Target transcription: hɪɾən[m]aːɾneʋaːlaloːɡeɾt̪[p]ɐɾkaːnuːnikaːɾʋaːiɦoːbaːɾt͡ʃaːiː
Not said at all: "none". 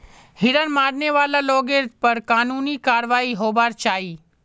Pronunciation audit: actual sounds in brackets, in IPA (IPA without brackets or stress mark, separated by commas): m, p